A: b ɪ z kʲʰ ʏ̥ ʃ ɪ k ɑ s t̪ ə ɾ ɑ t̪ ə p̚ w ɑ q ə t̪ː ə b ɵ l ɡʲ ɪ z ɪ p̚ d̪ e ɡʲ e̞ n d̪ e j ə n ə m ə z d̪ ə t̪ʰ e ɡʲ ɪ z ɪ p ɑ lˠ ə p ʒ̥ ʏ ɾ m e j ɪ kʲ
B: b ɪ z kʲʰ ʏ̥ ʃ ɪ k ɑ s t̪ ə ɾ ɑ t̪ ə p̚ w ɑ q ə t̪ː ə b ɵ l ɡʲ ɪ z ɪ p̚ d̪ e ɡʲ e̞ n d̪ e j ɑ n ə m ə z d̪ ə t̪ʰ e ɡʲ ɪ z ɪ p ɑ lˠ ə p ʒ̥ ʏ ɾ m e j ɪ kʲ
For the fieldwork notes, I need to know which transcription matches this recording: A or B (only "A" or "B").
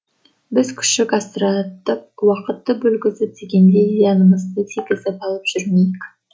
B